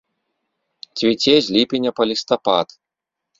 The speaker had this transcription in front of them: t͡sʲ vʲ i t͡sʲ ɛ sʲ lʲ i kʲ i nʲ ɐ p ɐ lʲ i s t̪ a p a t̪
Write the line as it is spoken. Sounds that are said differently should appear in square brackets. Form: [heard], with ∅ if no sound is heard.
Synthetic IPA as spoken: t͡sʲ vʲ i t͡sʲ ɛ [zʲ] lʲ i [pʲ] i nʲ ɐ p ɐ lʲ i s t̪ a p a t̪

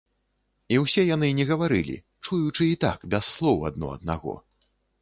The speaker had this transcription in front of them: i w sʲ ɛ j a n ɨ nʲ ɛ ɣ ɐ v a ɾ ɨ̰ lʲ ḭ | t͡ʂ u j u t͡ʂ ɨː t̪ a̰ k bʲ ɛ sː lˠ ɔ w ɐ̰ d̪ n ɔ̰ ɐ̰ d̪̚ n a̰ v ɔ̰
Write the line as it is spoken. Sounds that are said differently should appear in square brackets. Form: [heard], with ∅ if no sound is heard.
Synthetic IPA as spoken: i w sʲ ɛ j a n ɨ nʲ ɛ ɣ ɐ v a ɾ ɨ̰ lʲ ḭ | t͡ʂ u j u t͡ʂ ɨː t̪ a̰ k bʲ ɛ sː lˠ ɔ w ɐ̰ d̪ n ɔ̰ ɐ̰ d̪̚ n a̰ [ɣ] ɔ̰

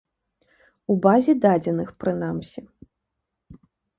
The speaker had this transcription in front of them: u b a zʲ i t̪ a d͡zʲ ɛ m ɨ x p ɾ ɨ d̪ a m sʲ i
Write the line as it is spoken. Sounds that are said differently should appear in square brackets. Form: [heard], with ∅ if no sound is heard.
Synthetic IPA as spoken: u b a zʲ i [d̪] a d͡zʲ ɛ [n] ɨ x p ɾ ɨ [n̪] a m sʲ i

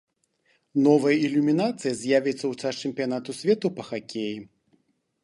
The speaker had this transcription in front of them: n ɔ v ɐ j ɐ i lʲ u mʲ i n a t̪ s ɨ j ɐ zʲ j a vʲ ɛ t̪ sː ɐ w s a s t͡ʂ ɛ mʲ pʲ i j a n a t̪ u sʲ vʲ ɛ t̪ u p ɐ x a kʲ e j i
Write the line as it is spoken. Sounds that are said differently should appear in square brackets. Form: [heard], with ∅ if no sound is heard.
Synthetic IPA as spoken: n ɔ v ɐ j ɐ i lʲ u mʲ i n a t̪ s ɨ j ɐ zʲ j a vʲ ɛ t̪ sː ɐ w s a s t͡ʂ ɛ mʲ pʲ i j a n a t̪ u sʲ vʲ ɛ t̪ u p ɐ x a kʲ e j i

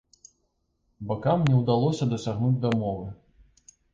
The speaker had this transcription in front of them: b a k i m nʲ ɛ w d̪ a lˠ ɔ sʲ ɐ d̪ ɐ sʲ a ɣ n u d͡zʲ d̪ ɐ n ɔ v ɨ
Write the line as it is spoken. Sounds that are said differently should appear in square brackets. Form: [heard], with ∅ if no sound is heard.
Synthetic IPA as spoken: b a k [a] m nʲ ɛ w d̪ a lˠ ɔ sʲ ɐ d̪ ɐ sʲ a ɣ n u d͡zʲ d̪ ɐ [m] ɔ v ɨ

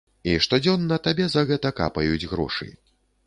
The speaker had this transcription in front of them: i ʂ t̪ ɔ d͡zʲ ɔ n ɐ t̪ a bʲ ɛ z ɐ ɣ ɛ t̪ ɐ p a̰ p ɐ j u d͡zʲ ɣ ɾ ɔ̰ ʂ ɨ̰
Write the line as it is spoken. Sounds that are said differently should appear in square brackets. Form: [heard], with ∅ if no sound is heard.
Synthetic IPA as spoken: i ʂ t̪ ɔ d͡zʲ ɔ [nː] ɐ t̪ a bʲ ɛ z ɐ ɣ ɛ t̪ ɐ [k] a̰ p ɐ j u d͡zʲ ɣ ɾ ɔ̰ ʂ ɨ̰

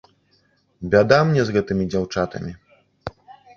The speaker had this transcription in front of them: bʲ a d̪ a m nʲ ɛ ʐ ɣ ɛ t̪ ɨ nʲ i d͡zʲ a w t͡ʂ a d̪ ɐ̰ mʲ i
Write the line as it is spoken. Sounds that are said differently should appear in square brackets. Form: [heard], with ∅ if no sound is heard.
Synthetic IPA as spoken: bʲ a d̪ a m nʲ ɛ [z] ɣ ɛ t̪ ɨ [mʲ] i d͡zʲ a w t͡ʂ a [t̪] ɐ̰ mʲ i

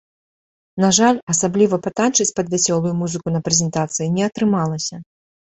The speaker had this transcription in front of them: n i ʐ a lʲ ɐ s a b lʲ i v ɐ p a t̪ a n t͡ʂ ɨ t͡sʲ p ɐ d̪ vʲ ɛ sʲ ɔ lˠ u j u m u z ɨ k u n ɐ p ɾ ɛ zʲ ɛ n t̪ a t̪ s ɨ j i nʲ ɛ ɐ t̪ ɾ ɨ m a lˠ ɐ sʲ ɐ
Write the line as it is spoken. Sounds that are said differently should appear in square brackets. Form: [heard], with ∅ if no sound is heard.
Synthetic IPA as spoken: n [a] ʐ a lʲ ɐ s a b lʲ i v ɐ p a t̪ a n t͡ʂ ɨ t͡sʲ p ɐ d̪ vʲ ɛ sʲ ɔ lˠ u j u m u z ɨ k u n ɐ p ɾ ɛ zʲ ɛ n t̪ a t̪ s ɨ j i nʲ ɛ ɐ t̪ ɾ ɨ m a lˠ ɐ sʲ ɐ

